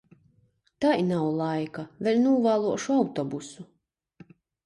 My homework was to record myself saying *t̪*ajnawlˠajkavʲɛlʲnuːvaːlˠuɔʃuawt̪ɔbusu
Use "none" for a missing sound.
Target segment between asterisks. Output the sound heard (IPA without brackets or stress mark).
t̪